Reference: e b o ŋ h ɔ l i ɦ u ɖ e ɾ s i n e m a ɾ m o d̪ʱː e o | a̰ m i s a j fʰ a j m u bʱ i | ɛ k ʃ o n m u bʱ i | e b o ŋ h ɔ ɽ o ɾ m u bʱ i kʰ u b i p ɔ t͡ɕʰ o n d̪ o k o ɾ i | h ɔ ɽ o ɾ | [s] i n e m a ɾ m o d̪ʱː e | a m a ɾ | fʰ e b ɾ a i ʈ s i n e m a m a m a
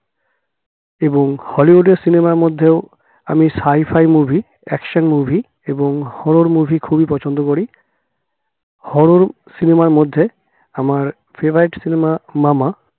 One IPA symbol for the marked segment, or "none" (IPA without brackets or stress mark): s